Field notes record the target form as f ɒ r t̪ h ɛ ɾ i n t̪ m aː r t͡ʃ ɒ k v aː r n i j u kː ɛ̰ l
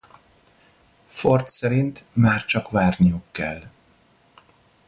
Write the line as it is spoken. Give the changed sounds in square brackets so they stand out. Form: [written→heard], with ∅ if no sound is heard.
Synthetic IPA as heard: f [ɒ→o] r t̪ [h→s] ɛ ɾ i n t̪ m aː r t͡ʃ ɒ k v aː r n i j u kː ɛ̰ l